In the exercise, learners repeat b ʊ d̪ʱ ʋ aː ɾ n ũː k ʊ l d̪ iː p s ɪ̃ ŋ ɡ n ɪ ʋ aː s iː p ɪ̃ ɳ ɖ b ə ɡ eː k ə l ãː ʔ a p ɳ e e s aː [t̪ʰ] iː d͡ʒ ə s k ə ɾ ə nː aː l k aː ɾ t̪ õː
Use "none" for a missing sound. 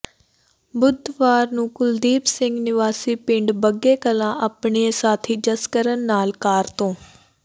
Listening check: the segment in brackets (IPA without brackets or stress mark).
t̪ʰ